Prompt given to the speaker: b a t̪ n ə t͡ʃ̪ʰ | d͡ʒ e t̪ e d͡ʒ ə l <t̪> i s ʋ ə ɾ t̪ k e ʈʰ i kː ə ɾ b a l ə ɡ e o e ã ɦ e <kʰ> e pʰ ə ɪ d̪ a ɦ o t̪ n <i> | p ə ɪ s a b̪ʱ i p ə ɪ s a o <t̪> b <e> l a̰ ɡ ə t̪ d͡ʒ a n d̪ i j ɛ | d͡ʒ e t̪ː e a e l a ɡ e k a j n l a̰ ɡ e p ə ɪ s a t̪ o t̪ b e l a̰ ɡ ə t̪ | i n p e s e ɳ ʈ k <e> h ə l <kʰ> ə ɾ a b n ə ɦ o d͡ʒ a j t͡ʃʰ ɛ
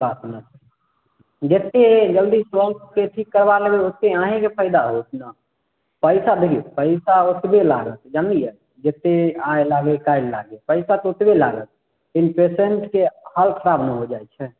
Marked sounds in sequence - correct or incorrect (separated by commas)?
incorrect, incorrect, incorrect, correct, correct, correct, correct